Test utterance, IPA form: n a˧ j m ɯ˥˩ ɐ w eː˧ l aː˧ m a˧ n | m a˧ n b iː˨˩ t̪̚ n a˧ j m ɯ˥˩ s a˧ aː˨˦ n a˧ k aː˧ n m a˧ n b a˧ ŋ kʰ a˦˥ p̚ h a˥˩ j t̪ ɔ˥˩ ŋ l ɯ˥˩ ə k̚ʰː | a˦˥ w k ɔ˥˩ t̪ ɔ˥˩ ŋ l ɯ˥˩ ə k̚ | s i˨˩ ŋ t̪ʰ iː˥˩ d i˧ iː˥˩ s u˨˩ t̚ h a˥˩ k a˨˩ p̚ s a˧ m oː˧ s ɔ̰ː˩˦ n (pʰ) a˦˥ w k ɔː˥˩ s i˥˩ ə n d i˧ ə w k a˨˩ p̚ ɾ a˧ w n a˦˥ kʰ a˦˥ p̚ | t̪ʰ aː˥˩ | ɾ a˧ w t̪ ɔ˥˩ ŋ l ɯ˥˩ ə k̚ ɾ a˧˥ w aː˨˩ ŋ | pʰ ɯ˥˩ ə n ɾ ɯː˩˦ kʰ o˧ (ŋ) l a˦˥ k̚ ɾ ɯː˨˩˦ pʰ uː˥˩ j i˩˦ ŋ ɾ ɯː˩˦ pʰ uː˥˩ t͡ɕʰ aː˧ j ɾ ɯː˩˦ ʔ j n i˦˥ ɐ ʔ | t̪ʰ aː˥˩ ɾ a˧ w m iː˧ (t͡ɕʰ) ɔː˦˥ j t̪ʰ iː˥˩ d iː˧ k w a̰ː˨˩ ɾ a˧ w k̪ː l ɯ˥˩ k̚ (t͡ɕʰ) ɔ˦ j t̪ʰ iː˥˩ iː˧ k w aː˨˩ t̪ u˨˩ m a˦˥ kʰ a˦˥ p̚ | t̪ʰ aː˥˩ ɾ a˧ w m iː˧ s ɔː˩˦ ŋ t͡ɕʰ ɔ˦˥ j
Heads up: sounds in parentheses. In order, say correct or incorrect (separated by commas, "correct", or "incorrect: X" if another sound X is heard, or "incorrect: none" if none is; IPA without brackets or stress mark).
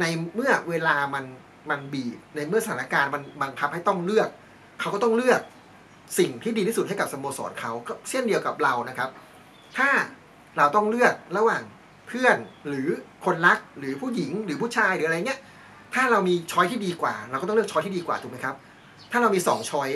incorrect: kʰ, incorrect: n, correct, correct